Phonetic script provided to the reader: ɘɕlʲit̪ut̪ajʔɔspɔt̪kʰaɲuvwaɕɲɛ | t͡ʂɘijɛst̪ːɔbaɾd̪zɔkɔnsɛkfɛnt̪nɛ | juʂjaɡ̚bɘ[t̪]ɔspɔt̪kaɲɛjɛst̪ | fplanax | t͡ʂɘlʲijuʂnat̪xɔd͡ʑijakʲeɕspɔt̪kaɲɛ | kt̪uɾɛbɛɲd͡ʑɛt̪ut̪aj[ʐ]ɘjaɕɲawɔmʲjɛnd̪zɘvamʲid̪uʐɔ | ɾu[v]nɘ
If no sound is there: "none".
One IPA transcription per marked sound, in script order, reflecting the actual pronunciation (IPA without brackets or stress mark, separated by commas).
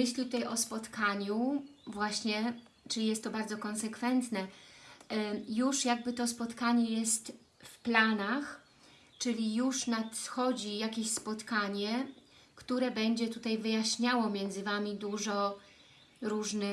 t̪, v, ʐ